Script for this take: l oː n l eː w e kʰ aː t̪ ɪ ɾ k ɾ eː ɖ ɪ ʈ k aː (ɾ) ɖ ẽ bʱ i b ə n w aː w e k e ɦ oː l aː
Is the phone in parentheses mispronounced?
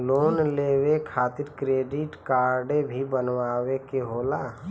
no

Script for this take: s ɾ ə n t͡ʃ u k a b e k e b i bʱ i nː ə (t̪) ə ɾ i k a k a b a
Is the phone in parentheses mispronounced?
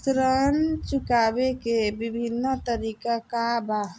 no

